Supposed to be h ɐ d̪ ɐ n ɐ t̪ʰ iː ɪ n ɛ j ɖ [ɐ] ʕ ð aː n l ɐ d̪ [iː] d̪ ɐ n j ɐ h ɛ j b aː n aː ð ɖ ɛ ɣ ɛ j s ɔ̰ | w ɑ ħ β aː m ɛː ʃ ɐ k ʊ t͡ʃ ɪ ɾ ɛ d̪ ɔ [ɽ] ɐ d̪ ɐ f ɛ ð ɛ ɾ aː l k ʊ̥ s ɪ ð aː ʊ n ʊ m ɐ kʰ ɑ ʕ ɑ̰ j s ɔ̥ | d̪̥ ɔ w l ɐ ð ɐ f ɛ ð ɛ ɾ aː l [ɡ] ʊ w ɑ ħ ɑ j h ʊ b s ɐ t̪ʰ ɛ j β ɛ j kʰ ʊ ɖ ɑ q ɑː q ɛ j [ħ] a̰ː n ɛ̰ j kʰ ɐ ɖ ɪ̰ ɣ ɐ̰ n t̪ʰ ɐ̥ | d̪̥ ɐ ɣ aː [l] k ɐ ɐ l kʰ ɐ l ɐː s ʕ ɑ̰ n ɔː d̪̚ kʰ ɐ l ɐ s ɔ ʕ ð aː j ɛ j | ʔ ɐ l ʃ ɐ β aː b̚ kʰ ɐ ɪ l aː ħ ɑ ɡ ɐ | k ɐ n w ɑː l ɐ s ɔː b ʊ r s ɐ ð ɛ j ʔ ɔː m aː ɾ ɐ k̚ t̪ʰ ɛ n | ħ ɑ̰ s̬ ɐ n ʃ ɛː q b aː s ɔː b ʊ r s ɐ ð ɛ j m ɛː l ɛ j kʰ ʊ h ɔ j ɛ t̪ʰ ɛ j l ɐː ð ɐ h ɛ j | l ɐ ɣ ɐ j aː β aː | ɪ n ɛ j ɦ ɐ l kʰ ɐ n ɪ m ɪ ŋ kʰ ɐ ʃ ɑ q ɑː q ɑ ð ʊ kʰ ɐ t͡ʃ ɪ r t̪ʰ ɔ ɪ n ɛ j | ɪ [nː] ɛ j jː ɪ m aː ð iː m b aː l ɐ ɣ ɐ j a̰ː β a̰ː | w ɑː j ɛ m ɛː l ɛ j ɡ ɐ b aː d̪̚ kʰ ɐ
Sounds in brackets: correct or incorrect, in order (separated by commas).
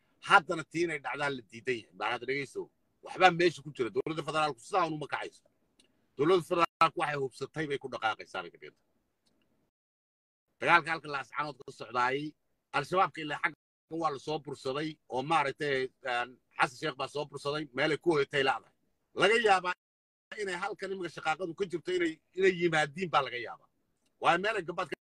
incorrect, correct, incorrect, incorrect, incorrect, correct, incorrect